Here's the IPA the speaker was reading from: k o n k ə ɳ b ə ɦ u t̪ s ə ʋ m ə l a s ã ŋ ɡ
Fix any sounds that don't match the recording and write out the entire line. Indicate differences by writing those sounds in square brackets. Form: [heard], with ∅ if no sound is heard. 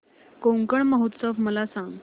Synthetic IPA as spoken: k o [ŋ] k ə ɳ [m] ə ɦ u t̪ s ə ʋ m ə l a s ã ŋ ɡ